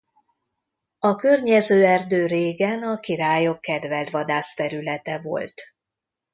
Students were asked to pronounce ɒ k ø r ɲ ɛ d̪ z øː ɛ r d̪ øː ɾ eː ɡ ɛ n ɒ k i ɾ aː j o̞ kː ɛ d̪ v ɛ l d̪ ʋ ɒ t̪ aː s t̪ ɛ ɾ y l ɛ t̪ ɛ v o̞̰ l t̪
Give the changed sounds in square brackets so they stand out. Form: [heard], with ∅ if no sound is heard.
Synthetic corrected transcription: ɒ k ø r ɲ ɛ [∅] z øː ɛ r d̪ øː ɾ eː ɡ ɛ n ɒ k i ɾ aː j o̞ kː ɛ d̪ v ɛ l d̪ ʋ ɒ [d̪] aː s t̪ ɛ ɾ y l ɛ t̪ ɛ v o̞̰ l t̪

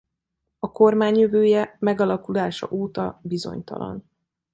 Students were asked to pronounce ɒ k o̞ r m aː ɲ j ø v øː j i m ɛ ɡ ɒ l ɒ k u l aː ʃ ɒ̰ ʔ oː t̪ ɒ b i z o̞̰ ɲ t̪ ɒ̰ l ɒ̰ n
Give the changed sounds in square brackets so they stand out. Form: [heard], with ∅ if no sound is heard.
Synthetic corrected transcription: ɒ k o̞ r m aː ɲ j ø v øː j [ɛ] m ɛ ɡ ɒ l ɒ k u l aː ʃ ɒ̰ ʔ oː t̪ ɒ b i z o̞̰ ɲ t̪ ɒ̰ l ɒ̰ n

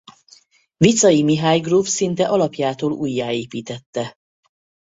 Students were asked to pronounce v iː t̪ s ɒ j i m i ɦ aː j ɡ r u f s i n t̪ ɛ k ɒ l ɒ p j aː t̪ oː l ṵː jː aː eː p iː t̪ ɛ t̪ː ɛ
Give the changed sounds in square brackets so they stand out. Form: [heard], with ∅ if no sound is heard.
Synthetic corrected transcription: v [i] t̪ s ɒ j i m i ɦ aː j ɡ r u f s i n t̪ ɛ [ʔ] ɒ l ɒ p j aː t̪ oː l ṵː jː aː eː p iː t̪ ɛ t̪ː ɛ

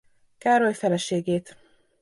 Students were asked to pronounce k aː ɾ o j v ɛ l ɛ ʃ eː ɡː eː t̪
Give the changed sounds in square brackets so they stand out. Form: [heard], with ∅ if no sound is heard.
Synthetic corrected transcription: k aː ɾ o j [f] ɛ l ɛ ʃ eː [ɡ] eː t̪

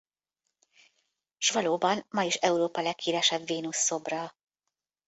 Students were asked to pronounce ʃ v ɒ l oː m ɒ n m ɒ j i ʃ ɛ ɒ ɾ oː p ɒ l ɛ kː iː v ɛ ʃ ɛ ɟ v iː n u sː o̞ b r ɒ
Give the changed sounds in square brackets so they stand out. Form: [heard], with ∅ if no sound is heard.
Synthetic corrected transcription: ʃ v ɒ l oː [b] ɒ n m ɒ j i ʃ ɛ [u] ɾ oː p ɒ l ɛ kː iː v ɛ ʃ ɛ [b] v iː n u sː o̞ b r ɒ

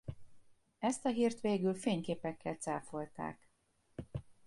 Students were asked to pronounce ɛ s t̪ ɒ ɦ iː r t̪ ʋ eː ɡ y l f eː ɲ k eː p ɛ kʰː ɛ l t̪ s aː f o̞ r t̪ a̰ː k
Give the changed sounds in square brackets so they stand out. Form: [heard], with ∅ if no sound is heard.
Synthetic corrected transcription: ɛ s t̪ ɒ ɦ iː r t̪ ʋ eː ɡ y l f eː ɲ k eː p ɛ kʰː ɛ l t̪ s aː f o̞ [l] t̪ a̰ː k

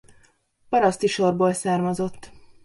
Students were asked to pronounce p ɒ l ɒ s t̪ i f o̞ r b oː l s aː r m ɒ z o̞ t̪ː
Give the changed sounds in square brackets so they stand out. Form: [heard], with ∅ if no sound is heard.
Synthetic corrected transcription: p ɒ [ɾ] ɒ s t̪ i [ʃ] o̞ r b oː l s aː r m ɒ z o̞ t̪ː

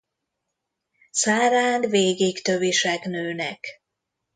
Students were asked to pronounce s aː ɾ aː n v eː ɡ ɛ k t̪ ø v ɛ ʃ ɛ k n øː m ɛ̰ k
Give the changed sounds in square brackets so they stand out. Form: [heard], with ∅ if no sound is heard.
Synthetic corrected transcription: s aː ɾ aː n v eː ɡ [i] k t̪ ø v [i] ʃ ɛ k n øː [n] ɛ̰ k

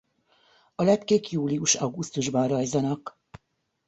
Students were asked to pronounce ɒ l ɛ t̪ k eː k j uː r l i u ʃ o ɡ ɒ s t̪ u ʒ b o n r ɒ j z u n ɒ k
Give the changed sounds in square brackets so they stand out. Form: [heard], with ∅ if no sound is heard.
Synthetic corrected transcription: ɒ l ɛ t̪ k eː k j uː [∅] l i u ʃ [ɒ] ɡ [u] s t̪ u ʒ b [ɒ] n r ɒ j z [ɒ] n ɒ k

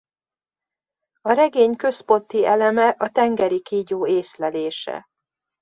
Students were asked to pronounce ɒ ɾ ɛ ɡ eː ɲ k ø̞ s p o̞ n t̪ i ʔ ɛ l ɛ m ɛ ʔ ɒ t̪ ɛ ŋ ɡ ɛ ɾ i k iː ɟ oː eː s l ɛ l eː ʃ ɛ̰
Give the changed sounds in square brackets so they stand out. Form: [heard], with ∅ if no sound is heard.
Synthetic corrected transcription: ɒ ɾ ɛ ɡ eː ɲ k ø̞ s p o̞ n t̪ i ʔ ɛ l ɛ m ɛ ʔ ɒ t̪ ɛ ŋ ɡ ɛ ɾ i k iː ɟ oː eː s l ɛ l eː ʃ ɛ̰

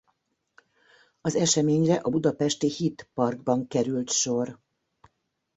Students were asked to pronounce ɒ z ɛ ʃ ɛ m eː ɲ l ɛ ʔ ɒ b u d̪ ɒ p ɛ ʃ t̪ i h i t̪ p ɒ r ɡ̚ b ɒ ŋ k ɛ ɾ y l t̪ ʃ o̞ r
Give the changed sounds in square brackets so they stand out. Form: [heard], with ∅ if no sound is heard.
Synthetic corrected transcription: ɒ z ɛ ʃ ɛ m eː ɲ [r] ɛ ʔ ɒ b u d̪ ɒ p ɛ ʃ t̪ i h i t̪ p ɒ r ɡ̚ b ɒ ŋ k ɛ ɾ y l t̪ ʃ o̞ r

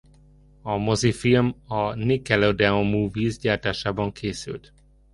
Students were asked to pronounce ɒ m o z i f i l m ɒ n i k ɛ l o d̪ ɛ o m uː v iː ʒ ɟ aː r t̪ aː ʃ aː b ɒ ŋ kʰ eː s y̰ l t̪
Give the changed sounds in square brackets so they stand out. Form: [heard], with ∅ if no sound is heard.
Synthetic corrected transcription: ɒ m o z i f i l m ɒ n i k ɛ l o d̪ ɛ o m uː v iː [z] ɟ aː r t̪ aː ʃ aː b ɒ ŋ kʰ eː s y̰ l t̪

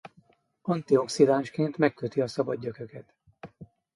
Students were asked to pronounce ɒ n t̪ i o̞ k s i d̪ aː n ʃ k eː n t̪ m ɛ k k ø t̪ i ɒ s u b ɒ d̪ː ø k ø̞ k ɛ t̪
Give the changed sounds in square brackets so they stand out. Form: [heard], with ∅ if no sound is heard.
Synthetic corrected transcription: ɒ n t̪ i o̞ k s i d̪ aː n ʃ k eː n t̪ m ɛ k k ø t̪ i ɒ s [ɒ] b ɒ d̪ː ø k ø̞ k ɛ t̪

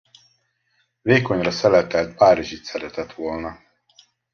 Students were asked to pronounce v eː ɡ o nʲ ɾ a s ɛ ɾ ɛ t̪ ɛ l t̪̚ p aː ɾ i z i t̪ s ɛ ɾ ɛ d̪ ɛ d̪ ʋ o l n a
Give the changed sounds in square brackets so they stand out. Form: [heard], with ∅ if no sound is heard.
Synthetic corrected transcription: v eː [k] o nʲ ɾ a s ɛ [l] ɛ t̪ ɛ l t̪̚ p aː ɾ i [ʒ] i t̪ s ɛ ɾ ɛ [t̪] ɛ [t̪] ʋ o l n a

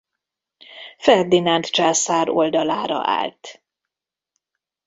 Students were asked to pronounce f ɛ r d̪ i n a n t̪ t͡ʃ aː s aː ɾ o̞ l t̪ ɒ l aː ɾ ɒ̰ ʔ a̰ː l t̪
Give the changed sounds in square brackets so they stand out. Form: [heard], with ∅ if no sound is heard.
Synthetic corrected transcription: f ɛ r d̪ i n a n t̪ t͡ʃ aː s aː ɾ o̞ l [d̪] ɒ l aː ɾ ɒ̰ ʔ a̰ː l t̪

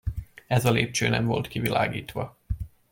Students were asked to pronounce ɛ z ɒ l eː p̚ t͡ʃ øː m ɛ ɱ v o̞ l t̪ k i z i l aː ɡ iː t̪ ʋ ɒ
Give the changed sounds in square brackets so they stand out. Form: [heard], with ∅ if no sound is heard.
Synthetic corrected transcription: ɛ z ɒ l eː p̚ t͡ʃ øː [n] ɛ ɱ v o̞ l t̪ k i [v] i l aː ɡ iː t̪ ʋ ɒ

